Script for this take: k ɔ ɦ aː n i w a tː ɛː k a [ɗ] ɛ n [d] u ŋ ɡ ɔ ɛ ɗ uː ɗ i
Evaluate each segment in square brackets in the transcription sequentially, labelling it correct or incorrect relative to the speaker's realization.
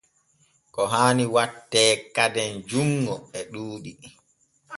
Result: incorrect: d, incorrect: d͡ʒ

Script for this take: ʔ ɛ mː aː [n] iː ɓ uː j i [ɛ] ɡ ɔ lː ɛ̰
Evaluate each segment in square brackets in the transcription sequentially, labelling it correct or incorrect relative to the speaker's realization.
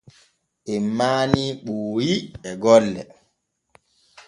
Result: correct, correct

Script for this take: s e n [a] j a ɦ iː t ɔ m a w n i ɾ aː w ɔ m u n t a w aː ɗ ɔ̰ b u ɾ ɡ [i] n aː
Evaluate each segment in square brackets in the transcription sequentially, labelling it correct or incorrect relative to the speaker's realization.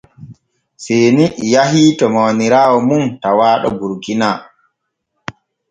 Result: incorrect: i, correct

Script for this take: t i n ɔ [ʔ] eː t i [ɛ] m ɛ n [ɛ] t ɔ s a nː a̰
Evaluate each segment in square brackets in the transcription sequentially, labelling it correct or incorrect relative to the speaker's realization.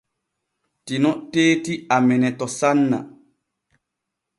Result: incorrect: t, incorrect: a, correct

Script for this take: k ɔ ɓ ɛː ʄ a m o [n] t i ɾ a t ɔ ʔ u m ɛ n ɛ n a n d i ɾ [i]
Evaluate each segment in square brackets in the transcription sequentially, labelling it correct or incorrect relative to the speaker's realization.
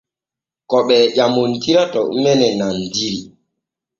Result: correct, correct

